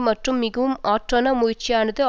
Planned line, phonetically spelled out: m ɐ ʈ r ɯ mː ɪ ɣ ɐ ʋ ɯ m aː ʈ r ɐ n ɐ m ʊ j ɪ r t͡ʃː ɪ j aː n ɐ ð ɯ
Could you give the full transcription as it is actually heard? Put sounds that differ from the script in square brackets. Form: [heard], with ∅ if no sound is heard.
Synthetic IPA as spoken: m ɐ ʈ r ɯ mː ɪ ɣ ɐ ʋ ɯ m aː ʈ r ɐ n ɐ m ʊ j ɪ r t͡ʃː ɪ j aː n ɐ ð ɯ